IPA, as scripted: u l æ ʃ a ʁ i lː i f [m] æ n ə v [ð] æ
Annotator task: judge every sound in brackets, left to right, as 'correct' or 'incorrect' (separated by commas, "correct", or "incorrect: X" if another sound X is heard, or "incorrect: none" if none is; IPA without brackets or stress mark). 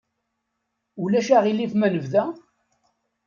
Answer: correct, correct